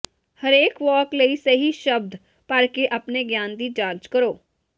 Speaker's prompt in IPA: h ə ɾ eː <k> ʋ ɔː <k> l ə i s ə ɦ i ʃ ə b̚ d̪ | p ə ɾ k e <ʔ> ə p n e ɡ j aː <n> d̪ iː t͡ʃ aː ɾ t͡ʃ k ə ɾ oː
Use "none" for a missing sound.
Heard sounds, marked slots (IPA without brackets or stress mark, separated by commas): k, k, ʔ, n